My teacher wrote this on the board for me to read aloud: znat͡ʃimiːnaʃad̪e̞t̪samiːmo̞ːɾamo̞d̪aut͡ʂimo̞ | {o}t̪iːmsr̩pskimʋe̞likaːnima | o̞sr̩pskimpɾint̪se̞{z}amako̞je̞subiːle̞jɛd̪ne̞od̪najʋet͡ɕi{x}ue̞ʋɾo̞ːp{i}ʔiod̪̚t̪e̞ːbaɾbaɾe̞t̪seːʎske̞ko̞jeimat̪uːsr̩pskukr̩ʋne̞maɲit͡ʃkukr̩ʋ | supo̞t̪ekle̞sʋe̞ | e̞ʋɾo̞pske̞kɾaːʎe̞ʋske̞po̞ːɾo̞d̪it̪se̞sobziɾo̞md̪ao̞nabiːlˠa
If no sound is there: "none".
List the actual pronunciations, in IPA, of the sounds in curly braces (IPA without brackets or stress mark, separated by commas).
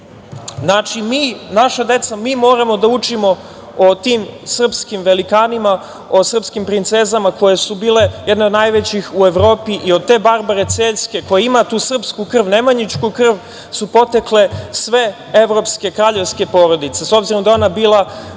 o, z, x, i